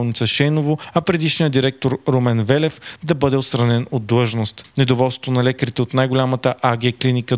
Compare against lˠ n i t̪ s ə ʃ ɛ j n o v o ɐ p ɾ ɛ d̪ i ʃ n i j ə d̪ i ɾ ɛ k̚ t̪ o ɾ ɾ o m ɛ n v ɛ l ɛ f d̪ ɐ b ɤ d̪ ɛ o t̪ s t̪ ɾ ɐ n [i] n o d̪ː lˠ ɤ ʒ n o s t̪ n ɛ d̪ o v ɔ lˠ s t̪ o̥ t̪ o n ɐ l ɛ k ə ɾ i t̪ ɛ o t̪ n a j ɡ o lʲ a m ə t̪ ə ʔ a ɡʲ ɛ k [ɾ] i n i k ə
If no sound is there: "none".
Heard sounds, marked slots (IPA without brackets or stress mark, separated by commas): ɛ, l